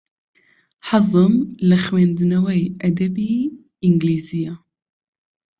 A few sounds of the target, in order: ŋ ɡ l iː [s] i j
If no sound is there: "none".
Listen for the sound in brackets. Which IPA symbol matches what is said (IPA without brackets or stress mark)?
z